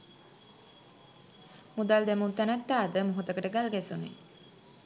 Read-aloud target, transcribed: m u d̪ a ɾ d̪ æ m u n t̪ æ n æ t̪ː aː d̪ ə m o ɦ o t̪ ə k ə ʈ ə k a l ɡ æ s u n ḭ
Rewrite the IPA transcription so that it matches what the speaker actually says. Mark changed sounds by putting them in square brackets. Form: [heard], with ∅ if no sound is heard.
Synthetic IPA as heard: m u d̪ a [l] d̪ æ m u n t̪ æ n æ t̪ː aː d̪ ə m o ɦ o t̪ ə k ə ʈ ə [ɡ] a l ɡ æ s u n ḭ